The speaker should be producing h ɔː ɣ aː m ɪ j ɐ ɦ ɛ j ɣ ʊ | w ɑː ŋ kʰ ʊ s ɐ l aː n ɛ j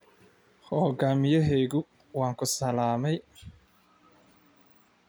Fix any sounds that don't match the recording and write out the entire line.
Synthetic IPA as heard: h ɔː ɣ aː m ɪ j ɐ ɦ ɛ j ɣ ʊ | w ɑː ŋ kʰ ʊ s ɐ l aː m ɛ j